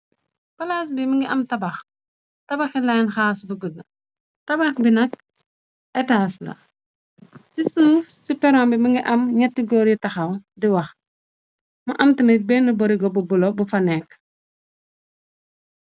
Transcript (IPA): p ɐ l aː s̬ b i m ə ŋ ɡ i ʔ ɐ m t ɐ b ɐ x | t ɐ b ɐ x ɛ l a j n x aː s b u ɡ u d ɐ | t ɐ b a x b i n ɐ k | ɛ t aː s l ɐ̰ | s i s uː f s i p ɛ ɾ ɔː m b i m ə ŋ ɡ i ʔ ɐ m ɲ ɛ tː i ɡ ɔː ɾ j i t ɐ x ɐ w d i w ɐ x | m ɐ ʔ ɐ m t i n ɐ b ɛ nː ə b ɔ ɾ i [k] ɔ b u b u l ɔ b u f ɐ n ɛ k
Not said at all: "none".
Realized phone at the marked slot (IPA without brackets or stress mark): ɡ